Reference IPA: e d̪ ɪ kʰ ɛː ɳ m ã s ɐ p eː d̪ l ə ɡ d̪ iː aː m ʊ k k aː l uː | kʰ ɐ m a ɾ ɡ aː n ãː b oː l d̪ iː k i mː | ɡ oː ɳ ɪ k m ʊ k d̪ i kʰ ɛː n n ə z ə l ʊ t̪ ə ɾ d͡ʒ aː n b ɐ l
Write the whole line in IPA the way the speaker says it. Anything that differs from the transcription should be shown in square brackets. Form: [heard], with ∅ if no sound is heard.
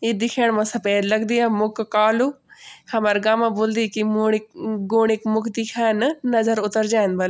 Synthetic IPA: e d̪ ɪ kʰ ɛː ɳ m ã s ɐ p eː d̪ l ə ɡ d̪ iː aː m ʊ k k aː l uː | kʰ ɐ m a ɾ ɡ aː [m] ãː b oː l d̪ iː k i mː | ɡ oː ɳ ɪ k m ʊ k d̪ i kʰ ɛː n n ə z ə [ɾ] ʊ t̪ ə ɾ d͡ʒ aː n b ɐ l